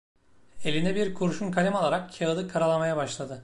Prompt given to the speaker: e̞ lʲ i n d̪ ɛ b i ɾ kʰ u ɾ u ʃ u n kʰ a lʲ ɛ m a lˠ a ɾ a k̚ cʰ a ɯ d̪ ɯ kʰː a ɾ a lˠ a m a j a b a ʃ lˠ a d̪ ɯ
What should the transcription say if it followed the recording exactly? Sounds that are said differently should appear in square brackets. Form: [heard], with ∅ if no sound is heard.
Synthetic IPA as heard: e̞ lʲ i n d̪ ɛ b i ɾ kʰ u ɾ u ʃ u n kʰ a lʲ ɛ m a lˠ a ɾ a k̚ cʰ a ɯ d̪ ɯ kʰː a ɾ a lˠ a m a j a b a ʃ lˠ a d̪ ɯ